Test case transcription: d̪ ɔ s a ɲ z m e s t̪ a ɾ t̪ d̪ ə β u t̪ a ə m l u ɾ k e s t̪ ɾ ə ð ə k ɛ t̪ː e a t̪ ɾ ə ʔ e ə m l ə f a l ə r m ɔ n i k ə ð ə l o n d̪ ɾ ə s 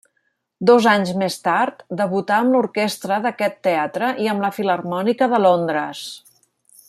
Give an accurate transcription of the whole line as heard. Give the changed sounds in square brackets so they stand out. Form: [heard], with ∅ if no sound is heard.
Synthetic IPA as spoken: d̪ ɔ [z] a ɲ z m e s t̪ a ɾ t̪ d̪ ə β u t̪ a ə m l u ɾ k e s t̪ ɾ ə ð ə k ɛ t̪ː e a t̪ ɾ ə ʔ [i] ə m l ə f [i] l ə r m ɔ n i k ə ð ə l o n d̪ ɾ ə s

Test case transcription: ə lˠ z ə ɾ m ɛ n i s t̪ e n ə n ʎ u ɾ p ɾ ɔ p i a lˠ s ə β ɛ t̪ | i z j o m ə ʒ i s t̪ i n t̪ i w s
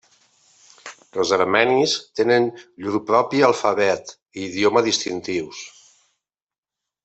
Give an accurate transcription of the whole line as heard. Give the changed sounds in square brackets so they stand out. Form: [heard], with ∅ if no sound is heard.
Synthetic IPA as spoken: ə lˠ z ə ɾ m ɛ n i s t̪ e n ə n ʎ u ɾ p ɾ ɔ p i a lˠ [f] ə β ɛ t̪ | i [ð] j o m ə [ð] i s t̪ i n t̪ i w s

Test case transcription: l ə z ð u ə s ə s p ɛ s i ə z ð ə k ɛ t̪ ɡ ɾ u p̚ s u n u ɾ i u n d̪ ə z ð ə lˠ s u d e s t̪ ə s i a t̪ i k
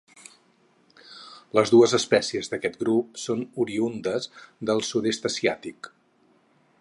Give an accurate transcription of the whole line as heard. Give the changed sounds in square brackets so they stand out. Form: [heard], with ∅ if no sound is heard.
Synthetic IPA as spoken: l ə z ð u ə [z] ə s p ɛ s i ə z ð ə k ɛ t̪ ɡ ɾ u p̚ s [o] n u ɾ i u n d̪ ə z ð ə lˠ s u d e s t̪ ə s i a t̪ i k

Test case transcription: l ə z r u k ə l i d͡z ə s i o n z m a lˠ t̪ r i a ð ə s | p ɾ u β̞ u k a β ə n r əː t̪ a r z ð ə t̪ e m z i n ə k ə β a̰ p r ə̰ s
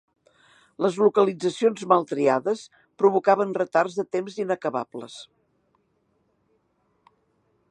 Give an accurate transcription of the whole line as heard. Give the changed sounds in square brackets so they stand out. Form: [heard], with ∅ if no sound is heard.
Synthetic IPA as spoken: l ə z [l] u k ə l i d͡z ə s i o n z m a lˠ t̪ [ɾ] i a ð ə s | p ɾ u β̞ u k a β ə n r [ə] t̪ a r z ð ə t̪ e m z i n ə k ə β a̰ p [l] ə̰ s

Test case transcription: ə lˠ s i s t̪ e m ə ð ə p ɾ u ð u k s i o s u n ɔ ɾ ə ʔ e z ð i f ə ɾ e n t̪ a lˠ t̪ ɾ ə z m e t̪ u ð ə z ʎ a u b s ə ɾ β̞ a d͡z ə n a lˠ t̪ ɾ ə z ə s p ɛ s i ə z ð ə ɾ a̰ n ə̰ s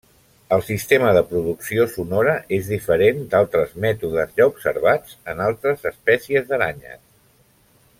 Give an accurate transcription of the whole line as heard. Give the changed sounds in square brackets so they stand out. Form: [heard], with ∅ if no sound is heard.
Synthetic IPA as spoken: ə lˠ s i s t̪ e m ə ð ə p ɾ u ð u k s i o s u n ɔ ɾ ə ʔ e z ð i f ə ɾ e n [d̪] a lˠ t̪ ɾ ə z m [ɛ] t̪ u ð ə z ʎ a u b s ə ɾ β̞ a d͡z ə n a lˠ t̪ ɾ ə z ə s p ɛ s i ə z ð ə ɾ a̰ [ɲ] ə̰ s

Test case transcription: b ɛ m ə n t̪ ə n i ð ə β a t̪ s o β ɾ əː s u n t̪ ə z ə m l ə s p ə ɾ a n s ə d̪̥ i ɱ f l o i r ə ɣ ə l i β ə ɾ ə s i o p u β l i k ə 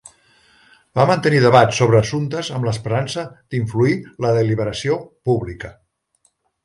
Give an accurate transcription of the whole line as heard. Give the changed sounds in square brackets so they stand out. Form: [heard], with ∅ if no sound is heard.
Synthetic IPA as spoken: b [a] m ə n t̪ ə n i ð ə β a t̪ s o β ɾ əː s u n t̪ ə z ə m l ə s p ə ɾ a n s ə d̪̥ i ɱ f l [u] i [l] ə [ð] ə l i β ə ɾ ə s i o p u β l i k ə

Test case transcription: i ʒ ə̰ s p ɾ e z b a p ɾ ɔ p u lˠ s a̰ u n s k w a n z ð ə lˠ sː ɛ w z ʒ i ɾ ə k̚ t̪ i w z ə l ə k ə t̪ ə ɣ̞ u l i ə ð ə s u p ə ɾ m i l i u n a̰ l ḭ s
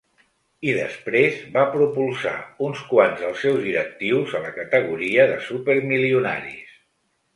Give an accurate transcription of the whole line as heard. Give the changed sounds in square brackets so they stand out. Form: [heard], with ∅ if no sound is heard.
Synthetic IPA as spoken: i [ð] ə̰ s p ɾ e z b a p ɾ [u] p u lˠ s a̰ u n s k w a n z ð ə lˠ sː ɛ w z [ð] i ɾ ə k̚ t̪ i w z ə l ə k ə t̪ ə ɣ̞ u [ɾ] i ə ð ə s u p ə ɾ m i l i u n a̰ [ɾ] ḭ s

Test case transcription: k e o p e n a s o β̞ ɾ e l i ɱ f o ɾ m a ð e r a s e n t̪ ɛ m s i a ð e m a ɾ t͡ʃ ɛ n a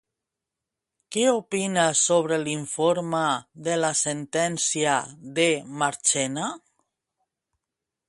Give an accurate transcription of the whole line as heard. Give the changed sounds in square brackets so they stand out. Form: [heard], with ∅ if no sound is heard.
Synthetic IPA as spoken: k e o p [i] n a s o β̞ ɾ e l i ɱ f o ɾ m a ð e [l] a s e n t̪ ɛ [n] s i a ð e m a ɾ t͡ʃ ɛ n a

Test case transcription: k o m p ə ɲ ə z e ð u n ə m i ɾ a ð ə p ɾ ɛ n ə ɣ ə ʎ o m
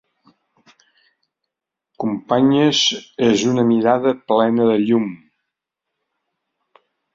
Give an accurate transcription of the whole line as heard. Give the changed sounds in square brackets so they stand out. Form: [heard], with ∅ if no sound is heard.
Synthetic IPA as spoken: k [u] m p [a] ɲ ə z e [z] u n ə m i ɾ a ð ə p [l] ɛ n ə [ð] ə ʎ [u] m

